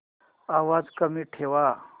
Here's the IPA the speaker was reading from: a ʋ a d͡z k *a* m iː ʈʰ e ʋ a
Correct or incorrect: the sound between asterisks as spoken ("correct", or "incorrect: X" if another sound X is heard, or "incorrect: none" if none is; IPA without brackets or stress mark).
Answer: incorrect: ə